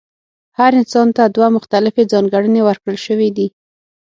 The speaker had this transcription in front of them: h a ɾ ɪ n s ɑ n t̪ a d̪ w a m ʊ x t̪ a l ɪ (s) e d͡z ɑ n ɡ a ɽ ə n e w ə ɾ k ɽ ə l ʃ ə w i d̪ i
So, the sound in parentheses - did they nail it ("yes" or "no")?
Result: no